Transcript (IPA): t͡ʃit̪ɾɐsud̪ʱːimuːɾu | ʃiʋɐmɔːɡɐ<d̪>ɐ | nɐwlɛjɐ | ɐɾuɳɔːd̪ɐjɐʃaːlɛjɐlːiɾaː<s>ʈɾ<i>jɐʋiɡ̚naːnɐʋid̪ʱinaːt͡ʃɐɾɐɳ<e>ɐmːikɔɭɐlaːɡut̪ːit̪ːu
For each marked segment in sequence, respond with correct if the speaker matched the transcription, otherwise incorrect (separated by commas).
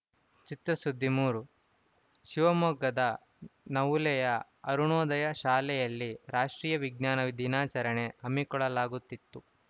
correct, incorrect, incorrect, correct